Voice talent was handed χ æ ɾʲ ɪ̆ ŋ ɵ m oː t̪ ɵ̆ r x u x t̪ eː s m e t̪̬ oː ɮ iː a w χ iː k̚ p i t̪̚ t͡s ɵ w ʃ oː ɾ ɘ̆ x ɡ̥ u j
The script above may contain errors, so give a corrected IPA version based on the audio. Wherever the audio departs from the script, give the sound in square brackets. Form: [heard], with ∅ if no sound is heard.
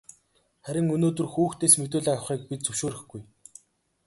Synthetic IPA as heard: χ æ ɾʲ ɪ̆ ŋ ɵ [n] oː t̪ ɵ̆ r x [uː] x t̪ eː s m e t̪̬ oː ɮ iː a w χ iː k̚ p i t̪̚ t͡s ɵ w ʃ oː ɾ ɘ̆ x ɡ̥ u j